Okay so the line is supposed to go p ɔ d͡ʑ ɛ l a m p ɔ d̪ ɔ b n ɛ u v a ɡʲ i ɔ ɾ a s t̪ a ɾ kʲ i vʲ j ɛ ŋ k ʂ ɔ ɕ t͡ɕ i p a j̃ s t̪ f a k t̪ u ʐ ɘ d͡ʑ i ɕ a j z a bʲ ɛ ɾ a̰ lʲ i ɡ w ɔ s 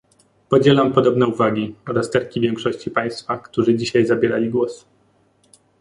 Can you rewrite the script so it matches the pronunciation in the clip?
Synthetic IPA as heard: p ɔ d͡ʑ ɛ l a m p ɔ d̪ ɔ b n ɛ u v a ɡʲ i ɔ ɾ a s t̪ ɛ ɾ kʲ i vʲ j ɛ ŋ k ʂ ɔ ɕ t͡ɕ i p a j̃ s t̪ f a k t̪ u ʐ ɘ d͡ʑ i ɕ a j z a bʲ ɛ ɾ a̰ lʲ i ɡ w ɔ s